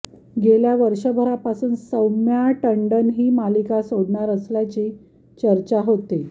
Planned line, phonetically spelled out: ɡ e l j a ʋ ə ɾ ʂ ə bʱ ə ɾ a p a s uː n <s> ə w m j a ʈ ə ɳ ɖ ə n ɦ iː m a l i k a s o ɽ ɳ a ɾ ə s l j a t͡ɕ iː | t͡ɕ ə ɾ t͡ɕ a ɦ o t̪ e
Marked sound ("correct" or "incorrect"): correct